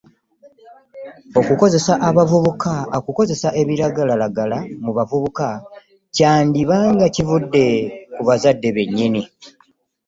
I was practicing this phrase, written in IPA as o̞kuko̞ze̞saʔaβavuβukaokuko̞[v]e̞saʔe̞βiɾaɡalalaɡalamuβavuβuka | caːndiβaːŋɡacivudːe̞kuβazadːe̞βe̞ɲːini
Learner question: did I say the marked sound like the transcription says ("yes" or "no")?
no